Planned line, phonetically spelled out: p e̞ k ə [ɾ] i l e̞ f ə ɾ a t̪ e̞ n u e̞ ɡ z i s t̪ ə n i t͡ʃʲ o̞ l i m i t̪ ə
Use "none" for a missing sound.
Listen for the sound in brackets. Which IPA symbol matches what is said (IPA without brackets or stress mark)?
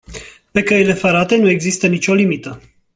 none